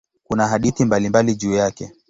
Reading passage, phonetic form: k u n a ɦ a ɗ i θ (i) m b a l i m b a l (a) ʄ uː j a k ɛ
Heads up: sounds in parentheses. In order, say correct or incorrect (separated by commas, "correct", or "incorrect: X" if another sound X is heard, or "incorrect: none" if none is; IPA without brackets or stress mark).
correct, incorrect: i